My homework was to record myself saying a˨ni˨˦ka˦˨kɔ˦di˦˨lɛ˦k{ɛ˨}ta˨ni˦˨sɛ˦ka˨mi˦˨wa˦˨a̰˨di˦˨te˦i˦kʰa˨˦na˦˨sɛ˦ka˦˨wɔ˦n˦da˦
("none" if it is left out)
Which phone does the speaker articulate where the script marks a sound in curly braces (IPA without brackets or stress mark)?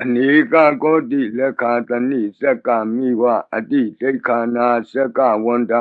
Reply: a˨